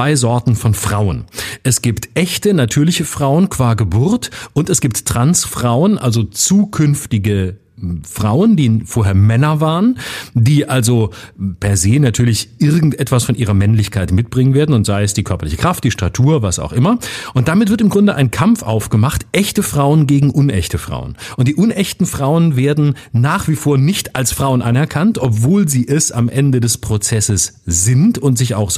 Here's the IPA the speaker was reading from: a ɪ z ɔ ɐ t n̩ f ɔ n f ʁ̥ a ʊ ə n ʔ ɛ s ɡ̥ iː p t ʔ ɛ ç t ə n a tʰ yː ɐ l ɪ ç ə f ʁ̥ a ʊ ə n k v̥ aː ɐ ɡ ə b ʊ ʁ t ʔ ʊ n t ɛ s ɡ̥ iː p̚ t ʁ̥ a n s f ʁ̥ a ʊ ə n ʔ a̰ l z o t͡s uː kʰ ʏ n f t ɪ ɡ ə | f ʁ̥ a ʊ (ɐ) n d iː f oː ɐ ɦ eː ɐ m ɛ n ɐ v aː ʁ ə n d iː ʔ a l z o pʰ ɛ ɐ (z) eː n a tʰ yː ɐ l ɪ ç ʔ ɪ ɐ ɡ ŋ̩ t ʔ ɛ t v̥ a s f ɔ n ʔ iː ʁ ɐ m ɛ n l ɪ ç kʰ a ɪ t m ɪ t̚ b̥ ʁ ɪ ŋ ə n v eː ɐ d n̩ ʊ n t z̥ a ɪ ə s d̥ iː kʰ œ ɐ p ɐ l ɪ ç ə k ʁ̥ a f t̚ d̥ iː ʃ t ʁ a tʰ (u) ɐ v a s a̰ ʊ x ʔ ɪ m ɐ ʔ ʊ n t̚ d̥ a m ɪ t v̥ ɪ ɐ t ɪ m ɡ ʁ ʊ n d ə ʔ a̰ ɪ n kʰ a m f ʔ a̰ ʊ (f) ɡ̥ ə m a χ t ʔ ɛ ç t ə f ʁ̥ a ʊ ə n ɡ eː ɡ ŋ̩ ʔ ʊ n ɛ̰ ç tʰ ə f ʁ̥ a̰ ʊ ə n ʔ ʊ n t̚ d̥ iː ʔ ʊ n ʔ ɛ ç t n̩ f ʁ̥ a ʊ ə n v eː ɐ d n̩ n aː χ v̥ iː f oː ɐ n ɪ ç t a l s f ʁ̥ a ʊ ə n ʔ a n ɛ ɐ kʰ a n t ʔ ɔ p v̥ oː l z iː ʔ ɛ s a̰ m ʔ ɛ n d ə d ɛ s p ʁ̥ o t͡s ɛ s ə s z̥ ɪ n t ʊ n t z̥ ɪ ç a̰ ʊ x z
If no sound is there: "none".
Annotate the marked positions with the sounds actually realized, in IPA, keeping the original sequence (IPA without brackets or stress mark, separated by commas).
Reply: ə, z, uː, f